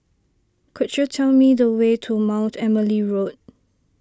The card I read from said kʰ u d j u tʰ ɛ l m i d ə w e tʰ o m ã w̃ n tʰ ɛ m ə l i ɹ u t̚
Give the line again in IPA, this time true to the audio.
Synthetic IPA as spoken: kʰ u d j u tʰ ɛ l m i d ə w e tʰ u m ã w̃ n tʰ ɛ m ə l i ɹ o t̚